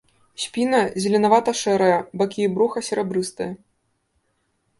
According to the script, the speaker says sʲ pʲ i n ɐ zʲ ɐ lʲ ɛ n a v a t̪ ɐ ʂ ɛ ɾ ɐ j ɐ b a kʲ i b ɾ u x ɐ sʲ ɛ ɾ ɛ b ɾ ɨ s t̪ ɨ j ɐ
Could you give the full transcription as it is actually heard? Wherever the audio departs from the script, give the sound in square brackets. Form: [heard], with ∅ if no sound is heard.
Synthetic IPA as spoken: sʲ pʲ i n ɐ zʲ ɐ lʲ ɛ n a v a t̪ ɐ ʂ ɛ ɾ ɐ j ɐ b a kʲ i b ɾ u x ɐ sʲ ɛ ɾ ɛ b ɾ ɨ s t̪ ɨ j ɐ